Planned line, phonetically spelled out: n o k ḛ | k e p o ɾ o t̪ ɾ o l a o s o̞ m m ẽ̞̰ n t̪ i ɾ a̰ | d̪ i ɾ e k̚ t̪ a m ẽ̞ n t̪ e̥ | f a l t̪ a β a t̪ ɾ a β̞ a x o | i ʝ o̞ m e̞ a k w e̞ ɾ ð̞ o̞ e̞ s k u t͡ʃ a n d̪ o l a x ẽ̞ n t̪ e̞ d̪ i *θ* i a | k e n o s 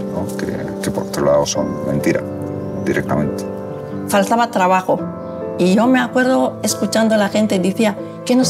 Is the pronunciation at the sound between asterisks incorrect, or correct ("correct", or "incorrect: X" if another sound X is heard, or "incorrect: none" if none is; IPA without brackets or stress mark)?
correct